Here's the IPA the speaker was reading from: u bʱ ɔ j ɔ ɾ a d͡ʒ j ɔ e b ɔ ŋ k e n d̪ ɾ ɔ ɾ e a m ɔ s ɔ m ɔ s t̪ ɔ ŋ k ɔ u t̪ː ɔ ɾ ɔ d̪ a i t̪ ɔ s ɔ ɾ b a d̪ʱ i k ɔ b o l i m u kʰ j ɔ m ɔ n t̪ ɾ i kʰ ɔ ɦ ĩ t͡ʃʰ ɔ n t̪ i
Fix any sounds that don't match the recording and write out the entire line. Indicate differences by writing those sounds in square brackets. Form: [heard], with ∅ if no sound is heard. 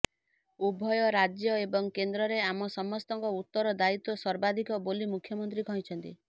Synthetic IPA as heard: u bʱ ɔ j ɔ ɾ a d͡ʒ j ɔ e b ɔ ŋ k e n d̪ ɾ ɔ ɾ e a m ɔ s ɔ m ɔ s t̪ ɔ ŋ k ɔ u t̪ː ɔ ɾ ɔ d̪ a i t̪ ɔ s ɔ ɾ b a d̪ʱ i k ɔ b o l i m u kʰ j ɔ m ɔ n t̪ ɾ i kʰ ɔ ɦ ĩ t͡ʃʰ ɔ n t̪ i